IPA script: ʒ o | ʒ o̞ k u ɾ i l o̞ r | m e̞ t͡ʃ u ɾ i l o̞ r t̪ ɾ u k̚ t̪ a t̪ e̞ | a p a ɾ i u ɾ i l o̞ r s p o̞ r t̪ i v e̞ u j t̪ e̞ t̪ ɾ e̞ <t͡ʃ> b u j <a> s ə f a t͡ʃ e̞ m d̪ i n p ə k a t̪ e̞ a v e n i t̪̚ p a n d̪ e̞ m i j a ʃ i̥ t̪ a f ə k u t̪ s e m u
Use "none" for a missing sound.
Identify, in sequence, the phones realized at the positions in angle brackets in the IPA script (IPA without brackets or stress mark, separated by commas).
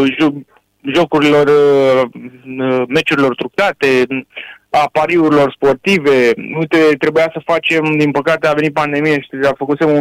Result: none, a